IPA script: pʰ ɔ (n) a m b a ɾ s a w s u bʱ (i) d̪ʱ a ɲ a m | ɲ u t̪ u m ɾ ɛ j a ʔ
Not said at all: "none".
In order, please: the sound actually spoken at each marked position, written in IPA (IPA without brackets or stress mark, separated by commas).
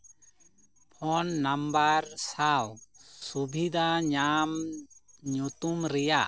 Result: nː, i